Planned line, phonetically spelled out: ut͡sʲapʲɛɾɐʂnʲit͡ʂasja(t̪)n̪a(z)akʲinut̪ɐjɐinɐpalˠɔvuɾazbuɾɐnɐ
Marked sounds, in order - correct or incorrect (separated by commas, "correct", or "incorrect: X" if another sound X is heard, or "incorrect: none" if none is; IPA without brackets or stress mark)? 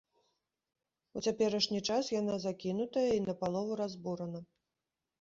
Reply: incorrect: none, correct